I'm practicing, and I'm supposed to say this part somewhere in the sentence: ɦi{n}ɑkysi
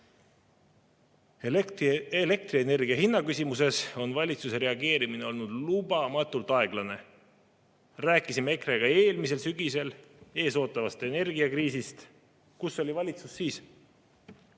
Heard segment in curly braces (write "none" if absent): nː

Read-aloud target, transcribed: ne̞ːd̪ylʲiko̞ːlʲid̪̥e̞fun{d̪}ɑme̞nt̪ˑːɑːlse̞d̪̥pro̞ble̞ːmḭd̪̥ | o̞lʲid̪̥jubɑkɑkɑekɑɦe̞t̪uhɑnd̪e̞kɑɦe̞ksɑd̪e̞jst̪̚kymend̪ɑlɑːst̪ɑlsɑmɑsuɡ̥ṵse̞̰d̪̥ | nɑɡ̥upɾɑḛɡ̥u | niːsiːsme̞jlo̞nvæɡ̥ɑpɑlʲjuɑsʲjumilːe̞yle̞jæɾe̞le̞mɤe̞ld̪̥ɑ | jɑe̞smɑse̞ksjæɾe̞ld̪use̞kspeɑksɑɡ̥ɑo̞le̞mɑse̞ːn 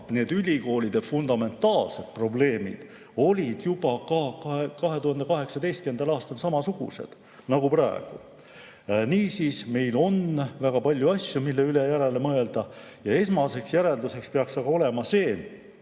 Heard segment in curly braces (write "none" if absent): d̪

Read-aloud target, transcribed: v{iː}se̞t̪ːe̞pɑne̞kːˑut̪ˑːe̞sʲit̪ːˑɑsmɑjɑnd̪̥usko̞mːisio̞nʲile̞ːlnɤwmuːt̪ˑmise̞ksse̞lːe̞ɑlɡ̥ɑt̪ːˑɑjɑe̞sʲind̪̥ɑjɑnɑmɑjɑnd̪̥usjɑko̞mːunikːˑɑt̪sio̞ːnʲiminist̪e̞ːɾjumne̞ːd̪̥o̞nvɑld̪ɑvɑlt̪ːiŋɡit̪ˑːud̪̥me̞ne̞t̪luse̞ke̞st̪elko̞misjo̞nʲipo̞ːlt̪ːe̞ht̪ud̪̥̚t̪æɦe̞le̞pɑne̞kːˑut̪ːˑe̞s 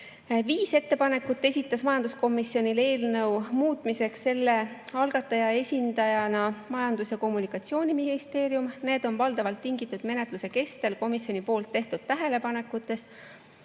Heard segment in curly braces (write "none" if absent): iː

